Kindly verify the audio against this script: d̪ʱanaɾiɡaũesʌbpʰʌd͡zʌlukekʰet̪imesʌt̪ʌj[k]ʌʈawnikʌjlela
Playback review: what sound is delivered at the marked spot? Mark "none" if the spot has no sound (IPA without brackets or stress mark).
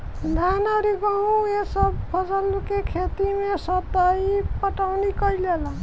p